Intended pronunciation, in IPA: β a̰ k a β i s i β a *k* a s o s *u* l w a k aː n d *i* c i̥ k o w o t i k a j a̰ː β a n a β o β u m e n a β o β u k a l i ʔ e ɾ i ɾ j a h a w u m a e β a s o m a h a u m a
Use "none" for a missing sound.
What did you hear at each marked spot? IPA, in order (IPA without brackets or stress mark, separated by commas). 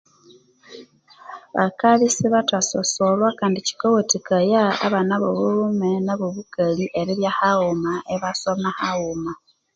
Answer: t, o, i